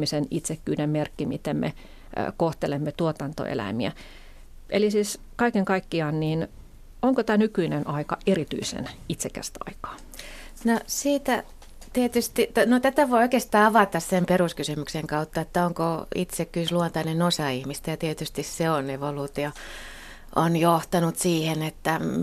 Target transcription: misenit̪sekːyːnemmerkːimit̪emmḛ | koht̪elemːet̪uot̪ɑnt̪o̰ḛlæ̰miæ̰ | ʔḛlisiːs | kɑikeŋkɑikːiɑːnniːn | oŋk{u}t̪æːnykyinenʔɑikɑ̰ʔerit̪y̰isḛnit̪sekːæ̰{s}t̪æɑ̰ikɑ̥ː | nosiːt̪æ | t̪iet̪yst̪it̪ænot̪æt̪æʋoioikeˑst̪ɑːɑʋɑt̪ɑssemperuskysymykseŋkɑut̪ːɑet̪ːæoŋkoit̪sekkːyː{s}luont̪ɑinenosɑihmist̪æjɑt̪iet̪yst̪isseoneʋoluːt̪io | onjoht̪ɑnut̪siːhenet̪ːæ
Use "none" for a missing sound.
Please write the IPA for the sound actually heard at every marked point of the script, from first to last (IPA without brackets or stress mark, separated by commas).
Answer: o, s, s